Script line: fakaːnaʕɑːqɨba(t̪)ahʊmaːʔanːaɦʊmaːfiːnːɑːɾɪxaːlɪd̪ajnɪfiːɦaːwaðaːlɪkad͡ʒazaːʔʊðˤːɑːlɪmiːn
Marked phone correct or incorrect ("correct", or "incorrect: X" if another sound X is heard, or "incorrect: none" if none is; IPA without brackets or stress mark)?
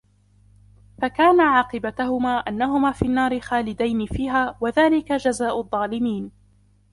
correct